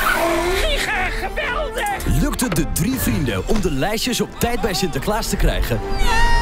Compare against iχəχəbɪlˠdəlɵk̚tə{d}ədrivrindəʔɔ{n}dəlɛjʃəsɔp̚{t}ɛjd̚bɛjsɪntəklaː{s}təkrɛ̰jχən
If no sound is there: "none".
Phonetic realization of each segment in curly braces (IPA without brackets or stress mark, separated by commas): d, m, t, s